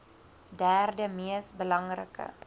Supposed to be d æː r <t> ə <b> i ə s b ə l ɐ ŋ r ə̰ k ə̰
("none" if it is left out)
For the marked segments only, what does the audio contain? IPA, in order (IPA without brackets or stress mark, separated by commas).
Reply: d, m